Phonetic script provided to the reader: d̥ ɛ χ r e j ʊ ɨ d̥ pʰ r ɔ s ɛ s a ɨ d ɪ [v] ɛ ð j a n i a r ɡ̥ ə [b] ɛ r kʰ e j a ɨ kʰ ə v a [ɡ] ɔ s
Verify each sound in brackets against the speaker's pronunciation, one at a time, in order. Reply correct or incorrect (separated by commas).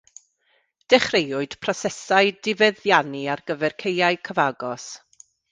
correct, incorrect, correct